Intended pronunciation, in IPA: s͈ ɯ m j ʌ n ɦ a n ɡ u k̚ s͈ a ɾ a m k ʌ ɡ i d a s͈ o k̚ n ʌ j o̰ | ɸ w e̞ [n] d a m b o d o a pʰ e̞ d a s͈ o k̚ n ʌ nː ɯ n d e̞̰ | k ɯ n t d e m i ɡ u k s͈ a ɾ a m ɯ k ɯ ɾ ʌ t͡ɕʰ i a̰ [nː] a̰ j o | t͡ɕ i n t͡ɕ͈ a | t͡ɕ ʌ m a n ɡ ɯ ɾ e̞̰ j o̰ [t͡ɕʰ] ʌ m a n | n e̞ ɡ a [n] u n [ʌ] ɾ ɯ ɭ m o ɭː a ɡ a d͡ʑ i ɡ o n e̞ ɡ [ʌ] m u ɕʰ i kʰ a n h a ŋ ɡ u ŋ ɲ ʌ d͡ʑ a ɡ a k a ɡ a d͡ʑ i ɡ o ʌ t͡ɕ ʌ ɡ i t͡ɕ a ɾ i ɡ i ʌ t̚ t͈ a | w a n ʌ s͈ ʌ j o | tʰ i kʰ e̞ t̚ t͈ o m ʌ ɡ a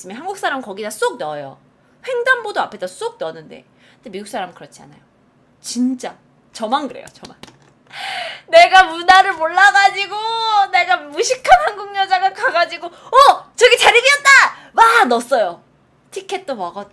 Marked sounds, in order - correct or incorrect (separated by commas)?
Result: incorrect, incorrect, incorrect, incorrect, incorrect, incorrect